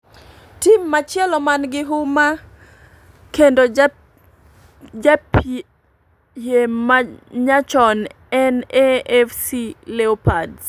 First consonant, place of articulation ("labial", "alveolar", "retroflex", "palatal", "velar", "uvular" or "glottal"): alveolar